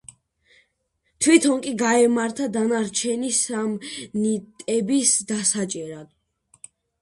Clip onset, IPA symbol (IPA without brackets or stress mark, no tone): t̪ʰ